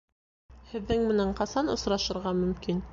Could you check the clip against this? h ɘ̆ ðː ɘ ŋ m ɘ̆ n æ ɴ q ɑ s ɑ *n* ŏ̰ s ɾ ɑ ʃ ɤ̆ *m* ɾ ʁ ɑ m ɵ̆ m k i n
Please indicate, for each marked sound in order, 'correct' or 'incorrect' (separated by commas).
correct, incorrect